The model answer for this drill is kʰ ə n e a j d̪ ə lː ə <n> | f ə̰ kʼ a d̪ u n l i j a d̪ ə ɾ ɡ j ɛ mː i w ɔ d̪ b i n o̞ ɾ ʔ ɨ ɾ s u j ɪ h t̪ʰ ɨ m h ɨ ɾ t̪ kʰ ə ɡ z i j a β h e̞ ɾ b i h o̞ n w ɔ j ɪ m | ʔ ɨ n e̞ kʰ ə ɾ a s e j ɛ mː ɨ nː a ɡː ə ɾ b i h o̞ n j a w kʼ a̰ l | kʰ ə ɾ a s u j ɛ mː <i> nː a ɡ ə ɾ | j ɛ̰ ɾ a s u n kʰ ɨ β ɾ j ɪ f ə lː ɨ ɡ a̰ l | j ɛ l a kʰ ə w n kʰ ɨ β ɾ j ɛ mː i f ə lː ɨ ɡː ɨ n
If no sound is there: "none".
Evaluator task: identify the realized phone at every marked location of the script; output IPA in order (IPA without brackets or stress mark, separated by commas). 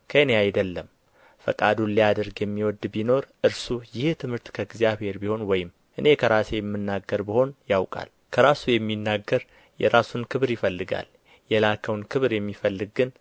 m, i